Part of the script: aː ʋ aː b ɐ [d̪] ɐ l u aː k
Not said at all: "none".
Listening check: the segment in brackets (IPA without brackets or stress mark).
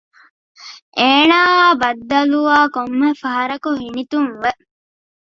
d̪ː